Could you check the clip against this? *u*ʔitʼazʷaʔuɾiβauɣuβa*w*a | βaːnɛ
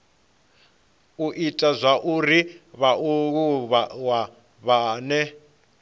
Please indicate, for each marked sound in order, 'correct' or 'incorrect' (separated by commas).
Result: correct, correct